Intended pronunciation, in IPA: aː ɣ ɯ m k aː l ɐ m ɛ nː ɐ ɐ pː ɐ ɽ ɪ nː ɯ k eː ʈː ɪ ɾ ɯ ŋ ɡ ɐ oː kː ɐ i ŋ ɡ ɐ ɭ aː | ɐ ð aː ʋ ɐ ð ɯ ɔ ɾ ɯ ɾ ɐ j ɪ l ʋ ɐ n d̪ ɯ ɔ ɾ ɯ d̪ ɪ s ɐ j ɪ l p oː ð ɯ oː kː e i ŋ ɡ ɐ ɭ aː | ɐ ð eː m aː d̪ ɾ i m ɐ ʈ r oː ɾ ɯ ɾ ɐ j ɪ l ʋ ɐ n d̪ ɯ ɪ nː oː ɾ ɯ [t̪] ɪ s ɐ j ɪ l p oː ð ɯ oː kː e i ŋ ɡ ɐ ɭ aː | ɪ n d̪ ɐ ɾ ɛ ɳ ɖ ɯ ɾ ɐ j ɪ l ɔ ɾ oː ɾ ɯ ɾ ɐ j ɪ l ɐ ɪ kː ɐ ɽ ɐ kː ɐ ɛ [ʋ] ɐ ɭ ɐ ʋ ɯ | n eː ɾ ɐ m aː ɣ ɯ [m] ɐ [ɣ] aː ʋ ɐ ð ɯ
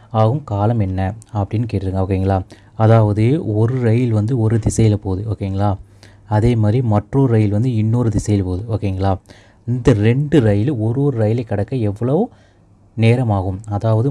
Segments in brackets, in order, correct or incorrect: incorrect: d̪, incorrect: ʋː, correct, incorrect: ð

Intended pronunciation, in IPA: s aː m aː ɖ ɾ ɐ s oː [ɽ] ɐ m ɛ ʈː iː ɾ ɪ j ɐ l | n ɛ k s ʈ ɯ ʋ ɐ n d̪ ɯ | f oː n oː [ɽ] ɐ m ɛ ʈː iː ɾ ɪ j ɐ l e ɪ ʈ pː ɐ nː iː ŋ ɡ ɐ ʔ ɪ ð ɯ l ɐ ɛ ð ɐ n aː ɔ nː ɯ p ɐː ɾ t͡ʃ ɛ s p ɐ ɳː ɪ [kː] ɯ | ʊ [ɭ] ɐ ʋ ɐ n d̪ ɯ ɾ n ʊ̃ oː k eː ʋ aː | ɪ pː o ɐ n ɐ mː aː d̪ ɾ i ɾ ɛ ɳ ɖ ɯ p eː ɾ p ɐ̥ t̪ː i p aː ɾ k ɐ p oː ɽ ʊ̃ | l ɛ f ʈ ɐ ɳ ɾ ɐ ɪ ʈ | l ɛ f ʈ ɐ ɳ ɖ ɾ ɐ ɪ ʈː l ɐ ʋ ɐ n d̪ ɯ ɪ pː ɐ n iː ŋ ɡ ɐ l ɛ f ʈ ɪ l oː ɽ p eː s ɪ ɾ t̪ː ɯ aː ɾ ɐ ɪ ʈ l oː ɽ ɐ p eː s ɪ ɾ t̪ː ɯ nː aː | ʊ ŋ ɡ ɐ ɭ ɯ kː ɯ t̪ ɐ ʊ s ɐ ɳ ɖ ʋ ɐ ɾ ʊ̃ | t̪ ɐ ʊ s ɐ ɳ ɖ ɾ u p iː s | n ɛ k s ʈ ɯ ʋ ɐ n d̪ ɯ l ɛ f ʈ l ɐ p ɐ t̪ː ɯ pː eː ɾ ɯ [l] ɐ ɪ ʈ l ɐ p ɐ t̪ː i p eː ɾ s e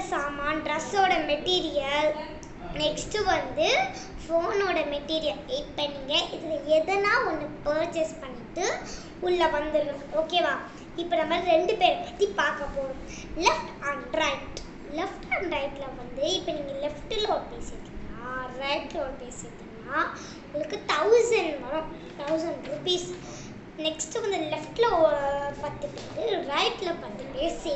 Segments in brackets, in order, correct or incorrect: correct, correct, incorrect: ʈː, incorrect: ɭː, incorrect: ɾ

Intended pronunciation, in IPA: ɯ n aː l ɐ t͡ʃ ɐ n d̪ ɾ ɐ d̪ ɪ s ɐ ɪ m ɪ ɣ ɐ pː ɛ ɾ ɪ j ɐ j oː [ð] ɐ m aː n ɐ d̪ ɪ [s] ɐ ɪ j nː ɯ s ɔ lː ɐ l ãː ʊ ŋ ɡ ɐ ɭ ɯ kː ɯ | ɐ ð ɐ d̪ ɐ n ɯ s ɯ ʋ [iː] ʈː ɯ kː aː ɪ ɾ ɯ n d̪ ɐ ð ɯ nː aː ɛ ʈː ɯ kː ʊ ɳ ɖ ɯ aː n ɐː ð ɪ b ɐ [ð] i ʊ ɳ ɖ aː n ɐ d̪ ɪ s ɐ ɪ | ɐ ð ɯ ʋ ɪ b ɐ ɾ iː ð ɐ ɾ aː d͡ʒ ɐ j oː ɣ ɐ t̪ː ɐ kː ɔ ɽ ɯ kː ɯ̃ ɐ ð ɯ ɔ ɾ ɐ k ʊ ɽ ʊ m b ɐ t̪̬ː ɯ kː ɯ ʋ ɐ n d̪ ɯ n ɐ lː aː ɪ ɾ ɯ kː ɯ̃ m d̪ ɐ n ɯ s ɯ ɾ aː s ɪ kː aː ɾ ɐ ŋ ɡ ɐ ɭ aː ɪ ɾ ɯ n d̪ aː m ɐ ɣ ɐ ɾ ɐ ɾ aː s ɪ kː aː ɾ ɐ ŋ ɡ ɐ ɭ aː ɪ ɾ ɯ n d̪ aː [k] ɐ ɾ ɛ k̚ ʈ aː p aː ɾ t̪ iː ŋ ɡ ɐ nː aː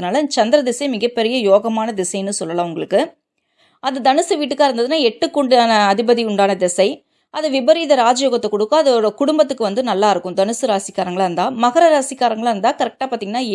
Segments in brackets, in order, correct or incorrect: incorrect: ɣ, correct, correct, correct, correct

